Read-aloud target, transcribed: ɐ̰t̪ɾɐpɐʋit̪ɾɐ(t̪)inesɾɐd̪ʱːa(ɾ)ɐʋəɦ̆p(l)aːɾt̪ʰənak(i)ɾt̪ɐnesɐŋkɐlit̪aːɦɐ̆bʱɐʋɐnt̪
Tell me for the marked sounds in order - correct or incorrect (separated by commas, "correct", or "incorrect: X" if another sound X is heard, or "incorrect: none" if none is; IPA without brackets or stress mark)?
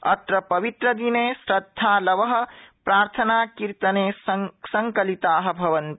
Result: incorrect: d̪, incorrect: l, incorrect: ɾ, correct